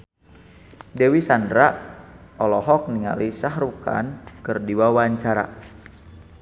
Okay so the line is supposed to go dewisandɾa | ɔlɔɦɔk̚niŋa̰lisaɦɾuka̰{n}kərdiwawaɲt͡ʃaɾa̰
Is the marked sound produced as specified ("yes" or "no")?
yes